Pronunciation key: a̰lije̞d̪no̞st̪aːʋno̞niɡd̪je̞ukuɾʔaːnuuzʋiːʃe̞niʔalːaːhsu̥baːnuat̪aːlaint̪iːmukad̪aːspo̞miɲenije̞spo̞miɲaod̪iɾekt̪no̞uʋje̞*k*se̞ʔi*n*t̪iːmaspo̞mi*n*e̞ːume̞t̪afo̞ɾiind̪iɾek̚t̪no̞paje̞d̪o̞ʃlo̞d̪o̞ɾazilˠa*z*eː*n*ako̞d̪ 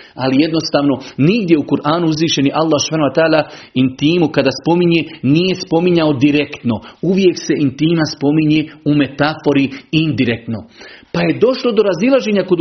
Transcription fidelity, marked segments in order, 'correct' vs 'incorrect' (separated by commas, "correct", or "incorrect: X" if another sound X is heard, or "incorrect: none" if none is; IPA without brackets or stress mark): correct, correct, incorrect: ɲ, incorrect: ʒ, incorrect: ɲ